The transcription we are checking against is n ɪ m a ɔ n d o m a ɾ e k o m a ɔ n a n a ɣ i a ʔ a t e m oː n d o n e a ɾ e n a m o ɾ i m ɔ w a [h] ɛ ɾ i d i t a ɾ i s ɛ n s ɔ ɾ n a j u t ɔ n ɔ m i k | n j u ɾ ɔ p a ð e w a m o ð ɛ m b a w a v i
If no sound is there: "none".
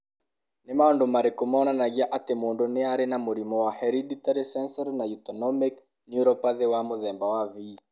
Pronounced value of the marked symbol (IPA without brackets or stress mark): h